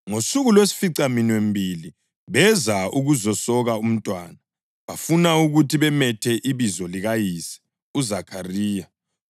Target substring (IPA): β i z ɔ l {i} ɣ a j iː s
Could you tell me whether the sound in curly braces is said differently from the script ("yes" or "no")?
no